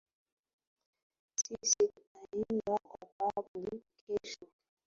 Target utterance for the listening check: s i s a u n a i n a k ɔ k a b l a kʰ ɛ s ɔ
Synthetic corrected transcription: s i s i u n a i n a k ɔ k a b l i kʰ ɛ ʃ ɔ